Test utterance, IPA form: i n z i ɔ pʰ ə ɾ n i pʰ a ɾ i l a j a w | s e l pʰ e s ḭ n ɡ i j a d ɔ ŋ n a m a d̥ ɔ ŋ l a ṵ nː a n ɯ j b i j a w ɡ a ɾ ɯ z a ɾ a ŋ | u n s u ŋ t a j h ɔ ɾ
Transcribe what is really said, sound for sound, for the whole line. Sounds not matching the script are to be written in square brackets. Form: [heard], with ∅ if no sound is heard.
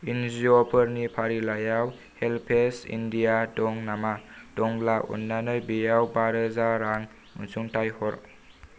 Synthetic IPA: i n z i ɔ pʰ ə ɾ n i pʰ a ɾ i l a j a w | [h] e l pʰ e s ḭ n [d] i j a d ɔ ŋ n a m a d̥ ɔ ŋ l a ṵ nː a n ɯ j b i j a w [b] a ɾ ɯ z a ɾ a ŋ | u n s u ŋ t a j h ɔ ɾ